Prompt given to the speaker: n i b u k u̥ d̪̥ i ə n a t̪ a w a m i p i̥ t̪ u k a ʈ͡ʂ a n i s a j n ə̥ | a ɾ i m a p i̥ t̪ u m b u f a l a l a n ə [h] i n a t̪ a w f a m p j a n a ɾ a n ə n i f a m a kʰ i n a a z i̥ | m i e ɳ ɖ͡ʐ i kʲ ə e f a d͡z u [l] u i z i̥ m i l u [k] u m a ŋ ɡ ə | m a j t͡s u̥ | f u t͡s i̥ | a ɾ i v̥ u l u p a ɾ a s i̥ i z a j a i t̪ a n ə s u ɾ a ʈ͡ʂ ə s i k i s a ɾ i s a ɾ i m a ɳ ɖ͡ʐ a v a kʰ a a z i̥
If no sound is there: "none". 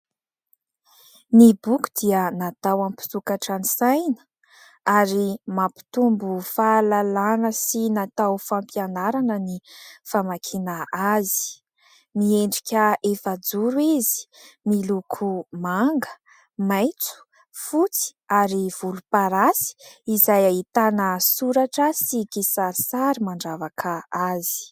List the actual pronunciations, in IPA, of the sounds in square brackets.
s, ɾ, kʰ

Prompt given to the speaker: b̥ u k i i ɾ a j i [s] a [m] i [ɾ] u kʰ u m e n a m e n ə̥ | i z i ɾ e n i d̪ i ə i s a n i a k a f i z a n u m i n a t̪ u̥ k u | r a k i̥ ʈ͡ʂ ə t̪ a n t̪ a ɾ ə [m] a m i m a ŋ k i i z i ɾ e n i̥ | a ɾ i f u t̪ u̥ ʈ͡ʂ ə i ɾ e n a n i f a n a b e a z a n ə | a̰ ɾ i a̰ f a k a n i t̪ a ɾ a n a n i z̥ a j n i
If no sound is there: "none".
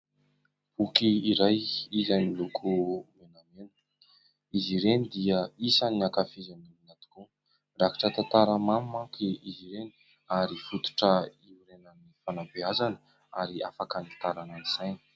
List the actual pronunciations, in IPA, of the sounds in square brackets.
z, n, l, m

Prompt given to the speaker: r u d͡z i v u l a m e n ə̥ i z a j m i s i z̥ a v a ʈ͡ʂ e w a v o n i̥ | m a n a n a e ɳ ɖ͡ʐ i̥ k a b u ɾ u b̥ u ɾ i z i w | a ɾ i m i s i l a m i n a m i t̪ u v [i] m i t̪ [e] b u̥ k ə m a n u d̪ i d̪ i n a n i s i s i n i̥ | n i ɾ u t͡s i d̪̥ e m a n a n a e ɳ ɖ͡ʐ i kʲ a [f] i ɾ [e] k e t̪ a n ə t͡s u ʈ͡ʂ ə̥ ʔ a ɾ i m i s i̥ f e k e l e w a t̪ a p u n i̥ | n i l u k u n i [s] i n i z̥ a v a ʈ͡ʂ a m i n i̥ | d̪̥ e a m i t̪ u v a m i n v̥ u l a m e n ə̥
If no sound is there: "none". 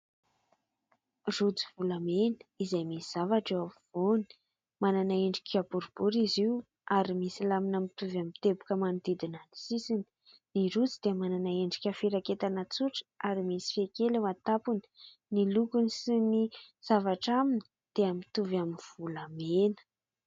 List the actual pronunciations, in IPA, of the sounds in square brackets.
a, e, f, a, s

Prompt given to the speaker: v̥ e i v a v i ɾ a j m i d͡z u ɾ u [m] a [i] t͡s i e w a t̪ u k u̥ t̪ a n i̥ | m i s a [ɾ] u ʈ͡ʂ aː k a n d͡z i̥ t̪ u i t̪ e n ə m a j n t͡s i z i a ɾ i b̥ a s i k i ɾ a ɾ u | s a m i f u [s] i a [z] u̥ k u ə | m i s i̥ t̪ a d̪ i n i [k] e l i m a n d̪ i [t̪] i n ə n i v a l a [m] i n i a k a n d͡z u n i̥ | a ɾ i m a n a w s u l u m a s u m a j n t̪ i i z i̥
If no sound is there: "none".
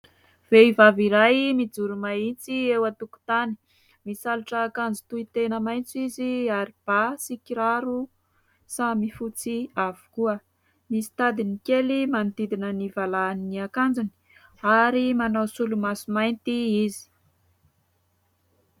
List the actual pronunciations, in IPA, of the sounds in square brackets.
m, i, l, t͡s, v, k, d̪, n

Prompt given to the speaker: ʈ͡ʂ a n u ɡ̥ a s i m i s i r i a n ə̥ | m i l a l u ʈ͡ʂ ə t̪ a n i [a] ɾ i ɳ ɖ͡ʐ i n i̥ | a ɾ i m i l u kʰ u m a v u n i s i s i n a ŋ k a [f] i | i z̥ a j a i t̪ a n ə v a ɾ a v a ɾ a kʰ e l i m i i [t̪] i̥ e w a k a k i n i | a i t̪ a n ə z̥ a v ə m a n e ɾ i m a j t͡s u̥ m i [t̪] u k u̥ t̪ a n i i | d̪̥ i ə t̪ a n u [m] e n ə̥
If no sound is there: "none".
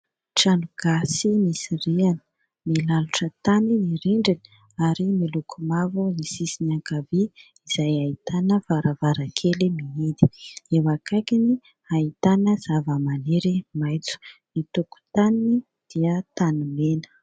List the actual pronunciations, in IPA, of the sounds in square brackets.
i, v, d̪, t̪, m

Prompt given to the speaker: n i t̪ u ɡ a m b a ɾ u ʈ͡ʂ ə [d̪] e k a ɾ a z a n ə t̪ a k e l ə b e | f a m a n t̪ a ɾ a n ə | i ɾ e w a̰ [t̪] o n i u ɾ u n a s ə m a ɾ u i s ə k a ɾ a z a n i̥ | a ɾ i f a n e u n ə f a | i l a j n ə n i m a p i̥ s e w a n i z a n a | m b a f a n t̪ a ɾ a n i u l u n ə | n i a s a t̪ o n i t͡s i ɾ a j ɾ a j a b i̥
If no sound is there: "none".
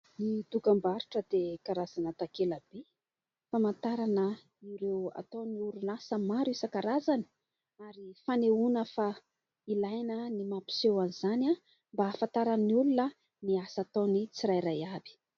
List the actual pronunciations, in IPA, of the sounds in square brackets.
d̪, t̪

